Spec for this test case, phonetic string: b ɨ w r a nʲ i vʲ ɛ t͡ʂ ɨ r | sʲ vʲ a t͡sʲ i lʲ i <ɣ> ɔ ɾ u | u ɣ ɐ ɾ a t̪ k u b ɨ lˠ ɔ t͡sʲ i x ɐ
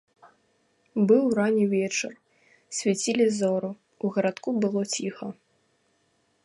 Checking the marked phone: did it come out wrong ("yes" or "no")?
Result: yes